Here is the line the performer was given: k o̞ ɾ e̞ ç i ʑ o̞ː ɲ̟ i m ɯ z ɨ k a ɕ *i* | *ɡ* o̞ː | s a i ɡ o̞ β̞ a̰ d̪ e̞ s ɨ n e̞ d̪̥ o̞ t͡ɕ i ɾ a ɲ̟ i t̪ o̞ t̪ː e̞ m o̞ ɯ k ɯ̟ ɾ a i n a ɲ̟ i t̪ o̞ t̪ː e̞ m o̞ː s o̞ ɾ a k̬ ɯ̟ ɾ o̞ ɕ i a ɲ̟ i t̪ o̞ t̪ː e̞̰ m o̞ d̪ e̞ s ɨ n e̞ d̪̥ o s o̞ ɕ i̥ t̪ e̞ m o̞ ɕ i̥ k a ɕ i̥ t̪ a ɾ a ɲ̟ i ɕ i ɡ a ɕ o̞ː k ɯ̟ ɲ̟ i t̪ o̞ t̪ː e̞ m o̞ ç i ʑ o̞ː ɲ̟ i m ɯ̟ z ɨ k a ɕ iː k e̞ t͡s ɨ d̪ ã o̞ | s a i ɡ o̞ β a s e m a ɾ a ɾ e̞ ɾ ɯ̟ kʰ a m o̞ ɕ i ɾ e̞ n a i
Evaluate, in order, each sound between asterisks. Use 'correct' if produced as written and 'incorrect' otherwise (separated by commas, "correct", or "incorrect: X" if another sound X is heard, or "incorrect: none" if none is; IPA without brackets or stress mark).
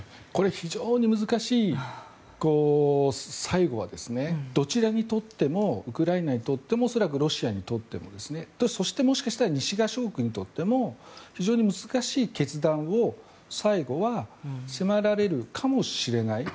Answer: incorrect: iː, incorrect: k